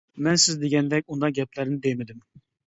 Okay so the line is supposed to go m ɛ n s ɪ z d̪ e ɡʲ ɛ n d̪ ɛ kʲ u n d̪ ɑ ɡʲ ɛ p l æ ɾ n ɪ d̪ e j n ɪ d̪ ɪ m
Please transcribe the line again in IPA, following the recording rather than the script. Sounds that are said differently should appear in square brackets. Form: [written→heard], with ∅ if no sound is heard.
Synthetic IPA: m ɛ n s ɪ z d̪ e ɡʲ ɛ n d̪ ɛ kʲ u n d̪ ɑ ɡʲ ɛ p l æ ɾ n ɪ d̪ e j [n→m] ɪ d̪ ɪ m